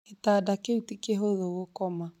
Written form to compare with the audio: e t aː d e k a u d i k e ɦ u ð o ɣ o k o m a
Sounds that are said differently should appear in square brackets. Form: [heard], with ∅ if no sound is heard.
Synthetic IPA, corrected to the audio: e t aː d [a] k [e] u [t] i k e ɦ [o] ð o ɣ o k [ɔ] m a